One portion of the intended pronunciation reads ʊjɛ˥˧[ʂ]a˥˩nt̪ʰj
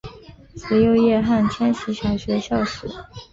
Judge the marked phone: incorrect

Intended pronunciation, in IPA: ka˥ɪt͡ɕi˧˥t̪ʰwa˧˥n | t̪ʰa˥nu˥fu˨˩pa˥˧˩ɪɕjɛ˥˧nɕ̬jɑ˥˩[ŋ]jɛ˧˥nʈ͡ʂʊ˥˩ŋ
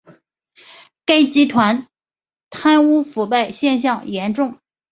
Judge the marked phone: correct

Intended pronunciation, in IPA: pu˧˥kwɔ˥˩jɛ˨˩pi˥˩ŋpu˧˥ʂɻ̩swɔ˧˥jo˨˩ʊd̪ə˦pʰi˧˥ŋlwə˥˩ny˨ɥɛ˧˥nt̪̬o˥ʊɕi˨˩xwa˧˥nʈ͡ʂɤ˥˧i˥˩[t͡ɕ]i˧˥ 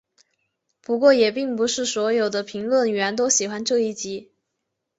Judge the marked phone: correct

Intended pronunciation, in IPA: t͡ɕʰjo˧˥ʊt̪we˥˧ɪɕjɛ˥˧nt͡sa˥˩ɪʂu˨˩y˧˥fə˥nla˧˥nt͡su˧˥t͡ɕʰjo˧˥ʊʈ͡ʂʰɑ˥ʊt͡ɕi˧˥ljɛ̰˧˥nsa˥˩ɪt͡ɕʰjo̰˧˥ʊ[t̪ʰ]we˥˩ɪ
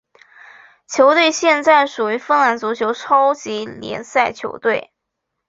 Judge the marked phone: incorrect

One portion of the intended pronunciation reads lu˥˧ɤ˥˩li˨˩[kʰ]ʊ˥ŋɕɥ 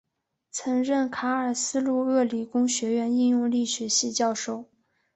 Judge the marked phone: incorrect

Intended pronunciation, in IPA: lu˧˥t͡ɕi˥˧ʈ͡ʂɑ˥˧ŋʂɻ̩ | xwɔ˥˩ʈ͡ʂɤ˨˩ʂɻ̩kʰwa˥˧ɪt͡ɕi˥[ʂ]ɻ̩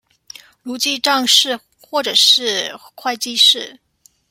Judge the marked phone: correct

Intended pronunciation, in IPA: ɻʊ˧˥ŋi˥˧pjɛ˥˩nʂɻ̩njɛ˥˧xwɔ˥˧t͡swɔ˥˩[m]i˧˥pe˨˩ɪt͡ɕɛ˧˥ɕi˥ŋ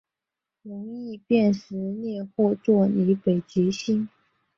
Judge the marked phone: incorrect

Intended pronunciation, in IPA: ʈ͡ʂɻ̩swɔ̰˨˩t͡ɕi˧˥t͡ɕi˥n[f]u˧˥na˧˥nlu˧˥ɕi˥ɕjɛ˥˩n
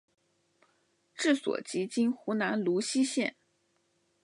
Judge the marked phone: incorrect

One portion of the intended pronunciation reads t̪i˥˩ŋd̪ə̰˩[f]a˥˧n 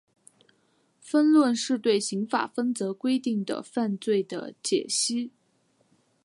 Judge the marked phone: correct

